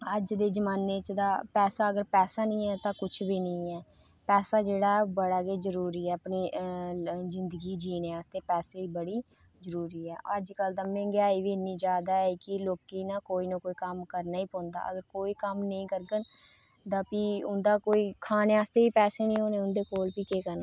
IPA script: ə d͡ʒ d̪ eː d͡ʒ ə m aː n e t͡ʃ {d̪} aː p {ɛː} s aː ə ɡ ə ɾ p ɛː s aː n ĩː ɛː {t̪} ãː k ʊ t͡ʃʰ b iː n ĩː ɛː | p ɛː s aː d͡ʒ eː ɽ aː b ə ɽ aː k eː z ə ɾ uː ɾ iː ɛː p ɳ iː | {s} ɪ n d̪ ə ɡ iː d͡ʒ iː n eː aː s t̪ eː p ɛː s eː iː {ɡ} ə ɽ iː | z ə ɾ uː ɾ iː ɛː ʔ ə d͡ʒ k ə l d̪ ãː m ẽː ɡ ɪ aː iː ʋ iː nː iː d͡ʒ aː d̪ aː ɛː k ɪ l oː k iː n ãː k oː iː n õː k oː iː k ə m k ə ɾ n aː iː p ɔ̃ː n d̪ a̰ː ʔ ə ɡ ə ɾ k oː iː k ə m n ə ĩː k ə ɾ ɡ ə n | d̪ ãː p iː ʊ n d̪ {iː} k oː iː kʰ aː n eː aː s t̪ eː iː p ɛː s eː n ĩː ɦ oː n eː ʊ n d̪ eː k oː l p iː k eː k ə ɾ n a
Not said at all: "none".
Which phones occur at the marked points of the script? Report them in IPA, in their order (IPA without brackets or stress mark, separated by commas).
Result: d̪, ɛː, t̪, z, b, aː